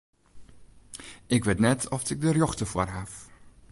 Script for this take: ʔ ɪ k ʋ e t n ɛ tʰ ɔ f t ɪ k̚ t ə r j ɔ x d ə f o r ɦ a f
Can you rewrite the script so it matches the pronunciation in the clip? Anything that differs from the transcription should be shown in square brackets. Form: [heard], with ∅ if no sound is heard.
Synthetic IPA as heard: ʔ ɪ k ʋ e t n ɛ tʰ ɔ f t ɪ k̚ [d] ə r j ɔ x [t] ə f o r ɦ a f